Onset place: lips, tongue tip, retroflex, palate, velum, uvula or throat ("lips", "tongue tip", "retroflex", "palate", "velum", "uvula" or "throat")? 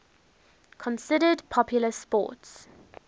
velum